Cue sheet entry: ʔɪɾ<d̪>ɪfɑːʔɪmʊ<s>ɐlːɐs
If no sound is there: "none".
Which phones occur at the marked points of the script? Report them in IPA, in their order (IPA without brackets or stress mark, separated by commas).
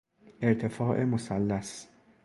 t̪, s